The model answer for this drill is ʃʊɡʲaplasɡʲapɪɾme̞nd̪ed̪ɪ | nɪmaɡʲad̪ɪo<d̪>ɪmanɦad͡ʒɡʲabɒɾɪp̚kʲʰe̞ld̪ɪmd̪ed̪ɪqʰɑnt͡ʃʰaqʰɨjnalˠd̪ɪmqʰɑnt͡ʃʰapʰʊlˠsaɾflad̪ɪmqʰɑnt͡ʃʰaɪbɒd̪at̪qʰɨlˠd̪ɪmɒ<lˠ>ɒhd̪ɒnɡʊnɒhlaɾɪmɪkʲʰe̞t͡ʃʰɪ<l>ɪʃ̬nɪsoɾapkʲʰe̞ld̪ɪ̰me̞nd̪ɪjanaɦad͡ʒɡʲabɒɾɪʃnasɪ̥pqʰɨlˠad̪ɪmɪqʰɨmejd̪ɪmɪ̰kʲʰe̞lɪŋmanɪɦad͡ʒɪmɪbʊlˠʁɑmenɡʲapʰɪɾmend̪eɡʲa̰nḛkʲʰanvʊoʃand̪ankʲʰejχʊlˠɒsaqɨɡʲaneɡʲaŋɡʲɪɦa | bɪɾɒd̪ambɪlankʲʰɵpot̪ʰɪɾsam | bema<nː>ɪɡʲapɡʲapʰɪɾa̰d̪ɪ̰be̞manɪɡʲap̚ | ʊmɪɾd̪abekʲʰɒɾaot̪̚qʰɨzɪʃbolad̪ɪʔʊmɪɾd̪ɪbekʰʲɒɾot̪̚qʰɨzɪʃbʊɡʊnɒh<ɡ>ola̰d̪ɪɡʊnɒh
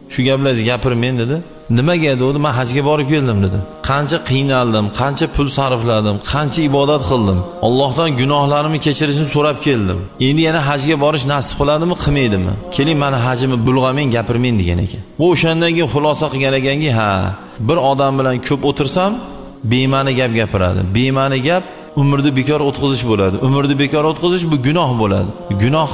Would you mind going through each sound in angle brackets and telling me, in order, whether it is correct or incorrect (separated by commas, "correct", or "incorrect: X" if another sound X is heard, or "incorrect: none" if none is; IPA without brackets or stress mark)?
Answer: correct, incorrect: lˠː, incorrect: ɾ, incorrect: n, incorrect: b